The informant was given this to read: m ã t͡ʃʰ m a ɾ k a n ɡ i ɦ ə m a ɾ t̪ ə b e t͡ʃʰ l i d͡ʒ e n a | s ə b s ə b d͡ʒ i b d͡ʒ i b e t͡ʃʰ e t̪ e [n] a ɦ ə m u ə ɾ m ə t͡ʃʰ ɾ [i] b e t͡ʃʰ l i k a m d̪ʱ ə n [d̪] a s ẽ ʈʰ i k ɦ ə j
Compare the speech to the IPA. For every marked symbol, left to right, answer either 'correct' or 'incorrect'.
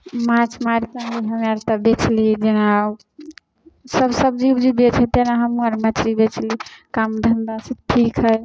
correct, correct, correct

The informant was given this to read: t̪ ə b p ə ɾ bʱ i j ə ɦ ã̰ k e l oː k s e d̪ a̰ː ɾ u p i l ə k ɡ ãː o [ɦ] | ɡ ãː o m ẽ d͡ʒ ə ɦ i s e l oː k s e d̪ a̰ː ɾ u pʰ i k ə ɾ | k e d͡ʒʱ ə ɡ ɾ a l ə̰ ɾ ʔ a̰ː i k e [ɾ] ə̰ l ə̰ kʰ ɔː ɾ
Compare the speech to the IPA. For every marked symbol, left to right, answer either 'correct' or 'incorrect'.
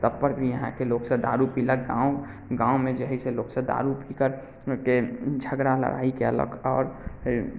incorrect: none, incorrect: none

